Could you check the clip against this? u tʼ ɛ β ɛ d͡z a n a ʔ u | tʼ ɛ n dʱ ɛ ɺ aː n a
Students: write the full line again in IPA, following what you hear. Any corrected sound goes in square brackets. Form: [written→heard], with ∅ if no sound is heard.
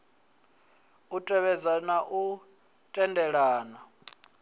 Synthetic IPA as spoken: u tʼ ɛ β ɛ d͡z a n a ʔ u | tʼ ɛ n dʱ ɛ ɺ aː n a